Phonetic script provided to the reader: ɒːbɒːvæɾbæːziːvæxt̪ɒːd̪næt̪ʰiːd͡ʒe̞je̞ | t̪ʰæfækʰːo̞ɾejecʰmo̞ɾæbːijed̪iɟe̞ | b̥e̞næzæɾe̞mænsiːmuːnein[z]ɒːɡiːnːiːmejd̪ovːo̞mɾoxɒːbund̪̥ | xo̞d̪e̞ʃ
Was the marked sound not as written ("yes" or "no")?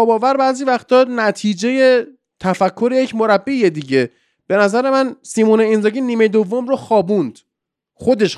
no